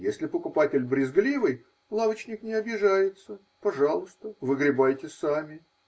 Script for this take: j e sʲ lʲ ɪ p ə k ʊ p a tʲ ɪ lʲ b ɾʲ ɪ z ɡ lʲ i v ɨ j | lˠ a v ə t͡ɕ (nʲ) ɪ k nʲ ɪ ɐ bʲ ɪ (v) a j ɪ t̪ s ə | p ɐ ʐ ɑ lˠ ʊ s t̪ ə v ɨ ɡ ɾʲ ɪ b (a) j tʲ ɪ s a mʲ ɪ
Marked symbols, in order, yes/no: yes, no, yes

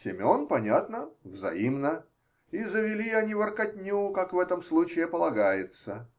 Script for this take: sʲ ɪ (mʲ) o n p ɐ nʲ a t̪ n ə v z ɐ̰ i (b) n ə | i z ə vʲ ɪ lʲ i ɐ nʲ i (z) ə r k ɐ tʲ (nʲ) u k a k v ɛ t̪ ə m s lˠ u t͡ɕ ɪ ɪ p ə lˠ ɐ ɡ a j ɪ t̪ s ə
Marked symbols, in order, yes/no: yes, no, no, yes

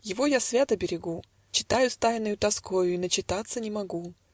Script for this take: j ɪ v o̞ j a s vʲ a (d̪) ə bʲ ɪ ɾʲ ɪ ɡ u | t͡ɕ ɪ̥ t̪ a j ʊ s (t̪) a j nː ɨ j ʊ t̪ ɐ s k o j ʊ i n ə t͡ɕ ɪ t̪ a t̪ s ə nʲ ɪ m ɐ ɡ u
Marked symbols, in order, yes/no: no, yes

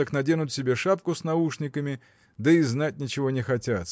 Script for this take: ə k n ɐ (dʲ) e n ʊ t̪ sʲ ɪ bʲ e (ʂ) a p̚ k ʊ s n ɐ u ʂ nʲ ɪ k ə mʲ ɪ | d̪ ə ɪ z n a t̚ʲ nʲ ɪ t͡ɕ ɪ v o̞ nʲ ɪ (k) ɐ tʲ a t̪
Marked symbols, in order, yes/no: yes, yes, no

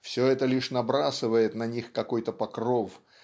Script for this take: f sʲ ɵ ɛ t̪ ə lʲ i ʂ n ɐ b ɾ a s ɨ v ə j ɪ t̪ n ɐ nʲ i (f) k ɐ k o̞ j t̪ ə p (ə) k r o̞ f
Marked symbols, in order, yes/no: no, no

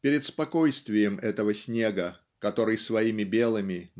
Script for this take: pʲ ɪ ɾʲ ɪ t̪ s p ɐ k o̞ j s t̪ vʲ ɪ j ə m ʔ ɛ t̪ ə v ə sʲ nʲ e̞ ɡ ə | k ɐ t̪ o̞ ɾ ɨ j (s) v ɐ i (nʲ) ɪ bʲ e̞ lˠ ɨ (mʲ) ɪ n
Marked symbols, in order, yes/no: yes, no, yes

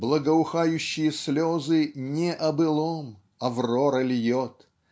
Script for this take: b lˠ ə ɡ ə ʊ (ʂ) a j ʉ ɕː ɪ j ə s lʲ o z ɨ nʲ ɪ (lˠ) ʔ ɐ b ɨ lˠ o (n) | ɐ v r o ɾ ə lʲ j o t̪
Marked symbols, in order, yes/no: no, no, no

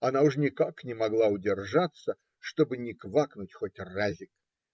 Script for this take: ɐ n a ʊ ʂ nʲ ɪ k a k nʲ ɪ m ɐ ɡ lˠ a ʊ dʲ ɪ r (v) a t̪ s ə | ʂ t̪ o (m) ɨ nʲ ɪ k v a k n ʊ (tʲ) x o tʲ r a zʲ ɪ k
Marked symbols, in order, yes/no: no, no, yes

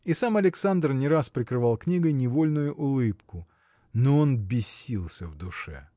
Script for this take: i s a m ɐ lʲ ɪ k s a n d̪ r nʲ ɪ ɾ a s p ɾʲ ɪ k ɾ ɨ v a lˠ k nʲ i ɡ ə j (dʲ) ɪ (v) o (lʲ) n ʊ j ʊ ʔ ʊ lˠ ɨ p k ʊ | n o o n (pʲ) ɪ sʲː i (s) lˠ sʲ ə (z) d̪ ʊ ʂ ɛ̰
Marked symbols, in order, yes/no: no, yes, yes, no, no, no

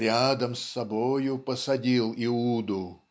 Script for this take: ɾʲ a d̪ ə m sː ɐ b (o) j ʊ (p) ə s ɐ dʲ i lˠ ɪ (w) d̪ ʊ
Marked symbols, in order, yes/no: yes, yes, no

